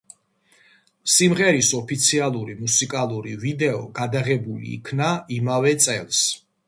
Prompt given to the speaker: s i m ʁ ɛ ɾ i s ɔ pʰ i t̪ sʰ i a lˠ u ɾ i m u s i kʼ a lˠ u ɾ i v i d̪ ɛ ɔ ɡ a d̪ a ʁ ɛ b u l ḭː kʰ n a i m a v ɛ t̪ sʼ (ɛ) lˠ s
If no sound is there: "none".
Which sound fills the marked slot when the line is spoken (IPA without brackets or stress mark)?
ɛ